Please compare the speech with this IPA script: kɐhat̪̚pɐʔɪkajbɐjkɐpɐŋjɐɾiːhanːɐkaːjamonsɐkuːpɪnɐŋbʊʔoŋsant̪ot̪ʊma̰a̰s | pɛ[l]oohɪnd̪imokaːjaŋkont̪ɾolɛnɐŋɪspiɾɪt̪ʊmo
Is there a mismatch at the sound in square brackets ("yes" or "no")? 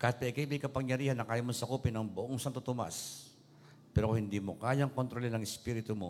yes